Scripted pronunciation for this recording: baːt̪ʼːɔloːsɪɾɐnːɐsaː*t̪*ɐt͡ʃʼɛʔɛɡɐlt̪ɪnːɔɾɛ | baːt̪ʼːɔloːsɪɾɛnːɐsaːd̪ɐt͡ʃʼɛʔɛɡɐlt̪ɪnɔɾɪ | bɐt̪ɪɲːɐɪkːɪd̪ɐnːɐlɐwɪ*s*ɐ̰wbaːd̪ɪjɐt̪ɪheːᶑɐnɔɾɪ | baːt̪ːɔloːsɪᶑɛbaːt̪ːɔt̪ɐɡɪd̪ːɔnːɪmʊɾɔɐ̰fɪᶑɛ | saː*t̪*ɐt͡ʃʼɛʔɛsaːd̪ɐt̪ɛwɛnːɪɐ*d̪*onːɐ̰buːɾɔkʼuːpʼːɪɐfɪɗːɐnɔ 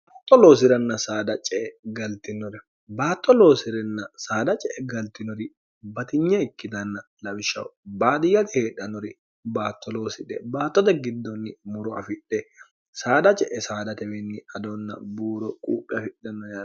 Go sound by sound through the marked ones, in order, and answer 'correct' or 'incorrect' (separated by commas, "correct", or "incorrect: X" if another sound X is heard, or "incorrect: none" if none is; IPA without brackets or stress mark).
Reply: incorrect: d̪, incorrect: ʃ, incorrect: d̪, correct